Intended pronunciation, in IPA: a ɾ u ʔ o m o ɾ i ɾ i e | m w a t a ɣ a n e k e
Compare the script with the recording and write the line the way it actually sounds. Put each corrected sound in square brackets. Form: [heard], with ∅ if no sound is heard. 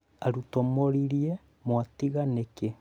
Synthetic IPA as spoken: a ɾ u [t] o m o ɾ i ɾ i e | m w a t [i] ɣ a n e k e